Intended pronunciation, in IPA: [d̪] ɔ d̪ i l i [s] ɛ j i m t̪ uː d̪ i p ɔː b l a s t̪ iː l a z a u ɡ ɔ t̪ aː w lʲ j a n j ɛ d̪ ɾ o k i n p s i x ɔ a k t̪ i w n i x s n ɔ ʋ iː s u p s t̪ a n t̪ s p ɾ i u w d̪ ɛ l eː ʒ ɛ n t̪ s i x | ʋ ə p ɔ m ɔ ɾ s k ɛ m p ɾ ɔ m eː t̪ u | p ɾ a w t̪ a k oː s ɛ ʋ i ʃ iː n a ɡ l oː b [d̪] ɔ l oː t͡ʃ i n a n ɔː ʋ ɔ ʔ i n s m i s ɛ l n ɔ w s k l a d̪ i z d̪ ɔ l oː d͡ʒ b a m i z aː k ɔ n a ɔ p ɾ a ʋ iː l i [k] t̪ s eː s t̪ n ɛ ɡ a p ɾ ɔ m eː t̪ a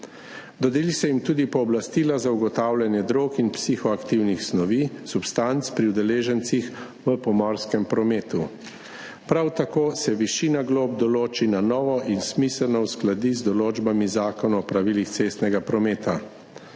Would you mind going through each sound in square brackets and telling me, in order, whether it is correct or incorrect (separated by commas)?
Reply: correct, correct, correct, incorrect